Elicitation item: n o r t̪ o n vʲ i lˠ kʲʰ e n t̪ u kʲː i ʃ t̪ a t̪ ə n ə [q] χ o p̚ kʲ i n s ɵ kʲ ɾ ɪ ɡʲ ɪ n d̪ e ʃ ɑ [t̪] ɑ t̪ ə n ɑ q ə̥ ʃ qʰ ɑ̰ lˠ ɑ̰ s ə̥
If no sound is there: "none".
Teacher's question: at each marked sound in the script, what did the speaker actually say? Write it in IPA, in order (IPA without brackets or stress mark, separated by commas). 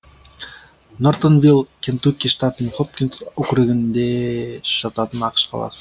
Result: none, t̪